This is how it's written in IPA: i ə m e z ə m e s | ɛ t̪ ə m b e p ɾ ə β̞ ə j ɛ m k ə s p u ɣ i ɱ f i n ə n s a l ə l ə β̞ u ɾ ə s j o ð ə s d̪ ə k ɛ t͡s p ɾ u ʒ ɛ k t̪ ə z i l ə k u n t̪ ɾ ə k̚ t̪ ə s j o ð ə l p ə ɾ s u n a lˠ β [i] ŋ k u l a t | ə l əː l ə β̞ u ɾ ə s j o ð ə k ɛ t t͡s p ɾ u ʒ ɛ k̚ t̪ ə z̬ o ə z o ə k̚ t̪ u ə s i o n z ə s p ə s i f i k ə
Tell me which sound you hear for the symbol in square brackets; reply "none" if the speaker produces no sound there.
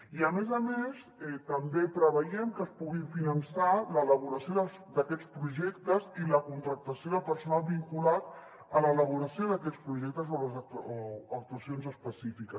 i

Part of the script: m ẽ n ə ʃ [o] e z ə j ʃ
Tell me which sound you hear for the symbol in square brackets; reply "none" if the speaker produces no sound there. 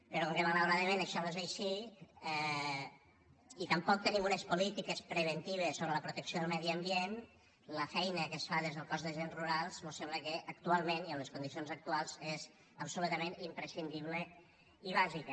ɔ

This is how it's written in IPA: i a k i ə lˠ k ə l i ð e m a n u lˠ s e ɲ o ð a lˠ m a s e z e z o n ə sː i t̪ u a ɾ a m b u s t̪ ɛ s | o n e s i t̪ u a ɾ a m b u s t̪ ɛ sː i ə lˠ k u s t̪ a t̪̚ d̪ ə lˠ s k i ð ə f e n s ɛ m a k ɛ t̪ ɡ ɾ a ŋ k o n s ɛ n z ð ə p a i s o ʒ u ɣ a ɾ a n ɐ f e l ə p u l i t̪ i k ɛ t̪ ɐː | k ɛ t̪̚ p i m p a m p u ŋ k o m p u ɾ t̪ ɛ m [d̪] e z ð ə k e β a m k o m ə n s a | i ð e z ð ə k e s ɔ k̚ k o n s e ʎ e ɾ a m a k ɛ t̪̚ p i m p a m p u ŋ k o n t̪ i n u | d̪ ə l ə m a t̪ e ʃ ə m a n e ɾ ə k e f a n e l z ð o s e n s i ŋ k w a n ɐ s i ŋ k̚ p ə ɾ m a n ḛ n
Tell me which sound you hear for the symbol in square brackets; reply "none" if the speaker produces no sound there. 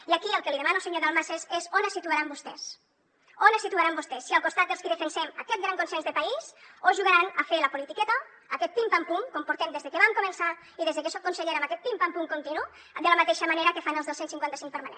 d̪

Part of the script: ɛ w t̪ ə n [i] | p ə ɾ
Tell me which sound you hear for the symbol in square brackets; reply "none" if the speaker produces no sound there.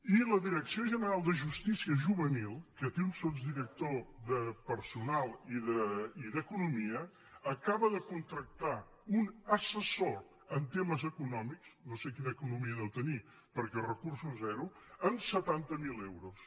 i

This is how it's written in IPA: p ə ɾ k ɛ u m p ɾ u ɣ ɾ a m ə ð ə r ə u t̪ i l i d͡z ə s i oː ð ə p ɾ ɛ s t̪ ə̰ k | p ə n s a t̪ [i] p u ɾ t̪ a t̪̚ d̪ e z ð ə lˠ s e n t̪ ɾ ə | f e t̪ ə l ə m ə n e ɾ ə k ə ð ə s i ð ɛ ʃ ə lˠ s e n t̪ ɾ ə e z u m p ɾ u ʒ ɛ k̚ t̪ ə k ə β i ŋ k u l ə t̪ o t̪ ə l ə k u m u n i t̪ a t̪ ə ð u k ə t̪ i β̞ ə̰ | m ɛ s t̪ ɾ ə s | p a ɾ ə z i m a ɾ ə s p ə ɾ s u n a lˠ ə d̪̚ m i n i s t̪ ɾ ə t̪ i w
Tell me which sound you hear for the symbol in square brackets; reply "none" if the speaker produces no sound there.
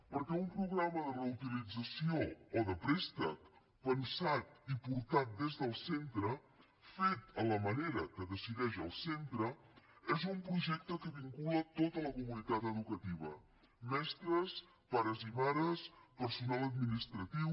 i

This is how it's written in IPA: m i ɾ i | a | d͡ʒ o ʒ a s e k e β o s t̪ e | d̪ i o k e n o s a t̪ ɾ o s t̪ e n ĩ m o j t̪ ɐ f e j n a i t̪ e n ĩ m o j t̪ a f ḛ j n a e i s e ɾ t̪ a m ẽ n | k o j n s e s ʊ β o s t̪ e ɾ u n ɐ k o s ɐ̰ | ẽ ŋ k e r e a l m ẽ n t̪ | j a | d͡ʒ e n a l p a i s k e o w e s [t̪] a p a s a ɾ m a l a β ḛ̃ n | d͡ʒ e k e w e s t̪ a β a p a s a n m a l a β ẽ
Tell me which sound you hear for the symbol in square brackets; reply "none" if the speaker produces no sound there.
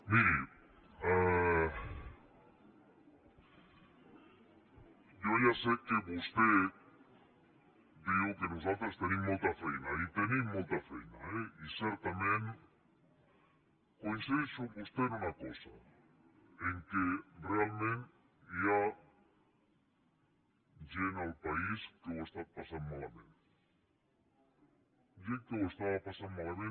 t̪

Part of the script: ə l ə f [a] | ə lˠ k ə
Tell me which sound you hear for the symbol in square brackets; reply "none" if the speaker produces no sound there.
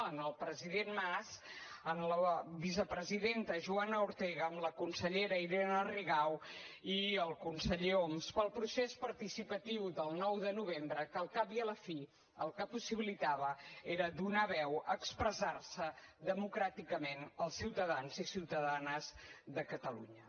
i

